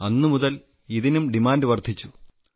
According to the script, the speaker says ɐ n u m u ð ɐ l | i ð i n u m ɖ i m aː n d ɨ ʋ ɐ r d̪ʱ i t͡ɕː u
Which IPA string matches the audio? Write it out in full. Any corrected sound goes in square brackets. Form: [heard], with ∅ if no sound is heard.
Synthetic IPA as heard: ɐ [nː] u m u ð ɐ l | i ð i n u m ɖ i m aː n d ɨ ʋ ɐ r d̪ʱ i t͡ɕː u